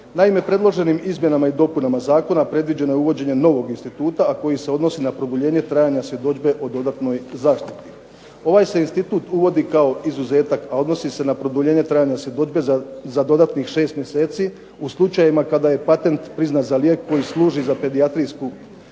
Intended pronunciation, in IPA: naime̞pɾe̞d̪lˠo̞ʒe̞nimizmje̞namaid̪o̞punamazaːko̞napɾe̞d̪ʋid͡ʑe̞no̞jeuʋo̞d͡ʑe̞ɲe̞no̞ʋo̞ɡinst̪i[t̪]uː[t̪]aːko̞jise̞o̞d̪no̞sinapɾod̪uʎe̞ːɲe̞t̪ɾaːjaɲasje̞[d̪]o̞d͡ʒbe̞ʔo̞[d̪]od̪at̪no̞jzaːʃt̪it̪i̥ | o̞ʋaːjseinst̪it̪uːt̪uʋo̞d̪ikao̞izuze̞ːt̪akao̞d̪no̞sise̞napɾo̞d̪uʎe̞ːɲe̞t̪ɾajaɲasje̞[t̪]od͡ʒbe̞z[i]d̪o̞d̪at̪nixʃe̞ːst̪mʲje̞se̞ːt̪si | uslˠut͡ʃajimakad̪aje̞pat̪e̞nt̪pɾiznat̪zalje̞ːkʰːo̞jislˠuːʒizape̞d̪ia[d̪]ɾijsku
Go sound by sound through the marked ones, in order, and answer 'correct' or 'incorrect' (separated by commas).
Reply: correct, correct, correct, correct, incorrect, incorrect, incorrect